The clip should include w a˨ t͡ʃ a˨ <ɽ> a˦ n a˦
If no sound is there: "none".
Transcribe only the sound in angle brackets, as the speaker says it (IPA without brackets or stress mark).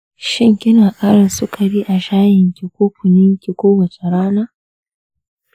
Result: ɾ